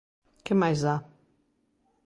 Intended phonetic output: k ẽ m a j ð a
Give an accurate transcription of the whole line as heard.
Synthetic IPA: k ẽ m a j z a

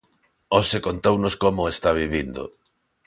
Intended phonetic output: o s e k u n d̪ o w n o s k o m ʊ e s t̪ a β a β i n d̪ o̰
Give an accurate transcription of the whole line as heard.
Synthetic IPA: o s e k o n t̪ o w n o s k o m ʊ e s t̪ a β i β i n d̪ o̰

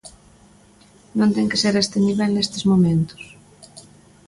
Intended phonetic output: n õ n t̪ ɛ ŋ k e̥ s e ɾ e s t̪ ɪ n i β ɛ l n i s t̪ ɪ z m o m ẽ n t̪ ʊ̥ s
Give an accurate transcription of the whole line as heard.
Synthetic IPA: n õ n t̪ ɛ ŋ k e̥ s e ɾ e s t̪ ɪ n i β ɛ l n e s t̪ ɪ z m o m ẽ n t̪ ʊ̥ s

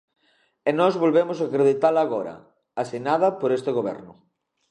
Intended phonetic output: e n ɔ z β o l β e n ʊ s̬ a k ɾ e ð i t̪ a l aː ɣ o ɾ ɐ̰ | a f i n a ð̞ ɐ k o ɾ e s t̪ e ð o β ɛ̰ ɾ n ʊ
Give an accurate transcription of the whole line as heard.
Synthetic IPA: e n ɔ z β o l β e m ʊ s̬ a k ɾ e ð i t̪ a l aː ɣ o ɾ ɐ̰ | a s i n a ð̞ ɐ p o ɾ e s t̪ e ɣ o β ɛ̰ ɾ n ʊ

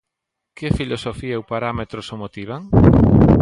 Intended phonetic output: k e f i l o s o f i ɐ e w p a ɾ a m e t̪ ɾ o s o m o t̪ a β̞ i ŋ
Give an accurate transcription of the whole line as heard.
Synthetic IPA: k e f i l o s o f i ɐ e w p a ɾ a m e t̪ ɾ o s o m o t̪ i β̞ a ŋ

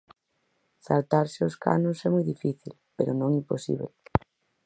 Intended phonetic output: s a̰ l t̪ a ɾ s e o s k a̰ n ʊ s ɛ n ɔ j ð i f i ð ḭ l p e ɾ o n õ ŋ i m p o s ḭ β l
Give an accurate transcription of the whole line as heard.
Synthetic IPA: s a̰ l t̪ a ɾ s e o s k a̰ n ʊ s ɛ m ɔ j ð i f i θ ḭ l p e ɾ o n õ ŋ i m p o s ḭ β l

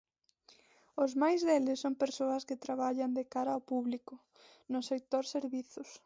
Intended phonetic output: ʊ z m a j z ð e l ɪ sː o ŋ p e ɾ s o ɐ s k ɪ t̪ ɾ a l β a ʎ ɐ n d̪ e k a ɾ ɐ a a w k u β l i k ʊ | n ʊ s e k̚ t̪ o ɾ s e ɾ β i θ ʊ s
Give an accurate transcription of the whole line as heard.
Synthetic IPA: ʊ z m a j z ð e l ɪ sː o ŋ p e ɾ s o ɐ s k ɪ t̪ ɾ a β a ʎ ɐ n d̪ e k a ɾ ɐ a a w p u β l i k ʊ | n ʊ s e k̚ t̪ o ɾ s e ɾ β i θ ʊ s

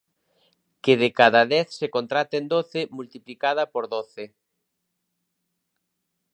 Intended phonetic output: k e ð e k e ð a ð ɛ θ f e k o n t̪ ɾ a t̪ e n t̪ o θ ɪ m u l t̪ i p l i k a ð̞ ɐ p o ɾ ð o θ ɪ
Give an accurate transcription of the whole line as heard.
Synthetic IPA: k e ð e k a ð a ð ɛ θ s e k o n t̪ ɾ a t̪ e n d̪ o θ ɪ m u l t̪ i p l i k a ð̞ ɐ p o ɾ ð o θ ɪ

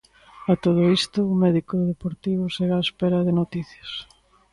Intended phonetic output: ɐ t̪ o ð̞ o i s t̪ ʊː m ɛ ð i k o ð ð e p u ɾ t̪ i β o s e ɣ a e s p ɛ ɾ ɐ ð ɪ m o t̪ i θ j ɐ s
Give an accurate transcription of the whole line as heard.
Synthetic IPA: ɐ t̪ o ð̞ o i s t̪ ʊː m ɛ ð i k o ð ð e p o ɾ t̪ i β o s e ɣ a e s p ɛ ɾ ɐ ð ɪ n o t̪ i θ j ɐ s

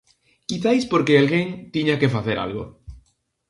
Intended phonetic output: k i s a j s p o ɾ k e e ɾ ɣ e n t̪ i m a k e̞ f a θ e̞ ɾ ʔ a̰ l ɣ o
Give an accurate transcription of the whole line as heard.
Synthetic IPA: k i θ a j s p o ɾ k e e l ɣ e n t̪ i ɲ a k e̞ f a θ e̞ ɾ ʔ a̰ l ɣ o

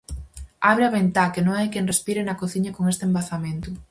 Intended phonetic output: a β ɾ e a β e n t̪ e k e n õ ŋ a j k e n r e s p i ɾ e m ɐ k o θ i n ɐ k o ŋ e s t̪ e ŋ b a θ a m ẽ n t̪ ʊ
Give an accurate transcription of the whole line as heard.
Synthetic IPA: a β ɾ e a β e n t̪ a k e n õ ŋ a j k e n r e s p i ɾ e n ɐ k o θ i ɲ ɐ k o ŋ e s t̪ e m b a θ a m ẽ n t̪ ʊ

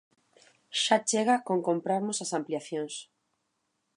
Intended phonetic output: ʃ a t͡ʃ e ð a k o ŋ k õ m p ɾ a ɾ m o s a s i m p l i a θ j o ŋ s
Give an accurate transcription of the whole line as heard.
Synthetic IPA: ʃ a t͡ʃ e ɣ a k o ŋ k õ m p ɾ a ɾ m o s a s a m p l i a θ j o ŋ s

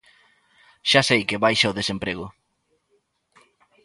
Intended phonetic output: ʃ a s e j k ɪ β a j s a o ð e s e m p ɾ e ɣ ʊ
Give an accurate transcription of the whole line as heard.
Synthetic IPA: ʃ a s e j k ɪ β a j ʃ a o ð e s e m p ɾ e ɣ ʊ

